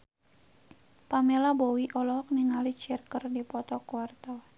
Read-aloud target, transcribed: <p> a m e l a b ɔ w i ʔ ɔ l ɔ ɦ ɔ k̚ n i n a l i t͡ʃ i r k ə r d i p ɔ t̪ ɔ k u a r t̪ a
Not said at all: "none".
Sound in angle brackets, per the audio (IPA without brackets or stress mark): p